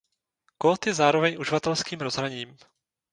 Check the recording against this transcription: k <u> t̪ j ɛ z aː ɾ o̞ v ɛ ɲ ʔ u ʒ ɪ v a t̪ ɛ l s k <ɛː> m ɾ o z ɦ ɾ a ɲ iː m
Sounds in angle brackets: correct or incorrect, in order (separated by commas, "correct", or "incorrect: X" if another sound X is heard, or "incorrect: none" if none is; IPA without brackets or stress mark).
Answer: incorrect: o, incorrect: iː